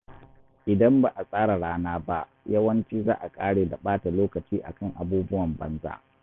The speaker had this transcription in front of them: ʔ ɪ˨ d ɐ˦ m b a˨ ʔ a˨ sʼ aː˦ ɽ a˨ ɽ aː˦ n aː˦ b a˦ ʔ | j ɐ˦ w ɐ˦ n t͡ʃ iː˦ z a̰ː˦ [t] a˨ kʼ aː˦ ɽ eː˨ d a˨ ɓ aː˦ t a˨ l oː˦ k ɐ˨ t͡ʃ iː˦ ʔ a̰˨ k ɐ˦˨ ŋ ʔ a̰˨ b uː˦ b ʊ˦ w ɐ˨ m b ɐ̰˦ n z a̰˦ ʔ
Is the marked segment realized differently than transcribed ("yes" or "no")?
yes